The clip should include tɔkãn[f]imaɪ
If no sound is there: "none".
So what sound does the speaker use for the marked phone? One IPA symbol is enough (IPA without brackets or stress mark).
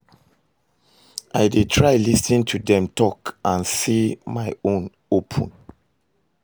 s